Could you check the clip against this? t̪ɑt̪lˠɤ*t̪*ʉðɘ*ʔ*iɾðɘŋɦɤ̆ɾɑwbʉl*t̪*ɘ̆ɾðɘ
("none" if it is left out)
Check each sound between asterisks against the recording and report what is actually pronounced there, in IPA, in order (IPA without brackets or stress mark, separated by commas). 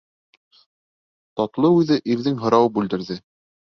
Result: none, ʔ, d̪